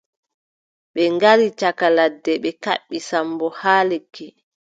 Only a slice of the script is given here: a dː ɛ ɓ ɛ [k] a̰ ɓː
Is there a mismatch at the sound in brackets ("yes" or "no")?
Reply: no